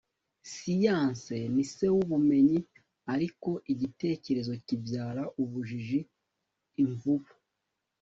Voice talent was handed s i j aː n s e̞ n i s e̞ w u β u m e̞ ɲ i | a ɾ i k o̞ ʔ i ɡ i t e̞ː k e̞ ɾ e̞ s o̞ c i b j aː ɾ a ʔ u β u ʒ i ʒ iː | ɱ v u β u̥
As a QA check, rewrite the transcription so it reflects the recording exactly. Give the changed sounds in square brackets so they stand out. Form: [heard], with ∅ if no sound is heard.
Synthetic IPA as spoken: s i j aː n s e̞ n i s e̞ w u β u m e̞ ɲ i | a ɾ i k o̞ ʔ i [ɟ] i t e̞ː [c] e̞ ɾ e̞ [z] o̞ c i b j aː ɾ a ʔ u β u ʒ i ʒ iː | ɱ v u β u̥